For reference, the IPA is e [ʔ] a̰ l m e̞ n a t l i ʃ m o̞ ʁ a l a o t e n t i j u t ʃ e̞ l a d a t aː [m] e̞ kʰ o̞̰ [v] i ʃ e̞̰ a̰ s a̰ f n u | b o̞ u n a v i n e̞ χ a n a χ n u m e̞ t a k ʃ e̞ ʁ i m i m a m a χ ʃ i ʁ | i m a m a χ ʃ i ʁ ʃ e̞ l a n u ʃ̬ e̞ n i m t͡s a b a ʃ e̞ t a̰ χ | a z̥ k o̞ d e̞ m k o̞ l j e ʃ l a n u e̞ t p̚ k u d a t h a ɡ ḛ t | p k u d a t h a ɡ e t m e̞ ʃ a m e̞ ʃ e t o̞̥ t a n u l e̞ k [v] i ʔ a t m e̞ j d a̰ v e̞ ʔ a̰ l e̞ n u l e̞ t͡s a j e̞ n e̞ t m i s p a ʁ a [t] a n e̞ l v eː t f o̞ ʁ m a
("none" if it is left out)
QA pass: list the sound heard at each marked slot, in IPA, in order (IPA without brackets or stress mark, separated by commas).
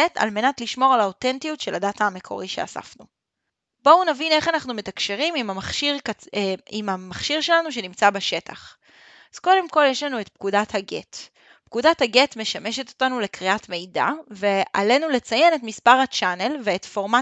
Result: t, m, ʁ, ʁ, t͡ʃ